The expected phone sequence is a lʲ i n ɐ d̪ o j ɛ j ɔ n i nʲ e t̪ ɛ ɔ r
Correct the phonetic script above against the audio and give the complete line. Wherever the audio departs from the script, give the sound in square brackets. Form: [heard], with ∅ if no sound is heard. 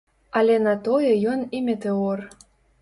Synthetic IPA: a lʲ [ɛ] n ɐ [t̪] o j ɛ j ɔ n i [mʲ] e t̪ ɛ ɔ r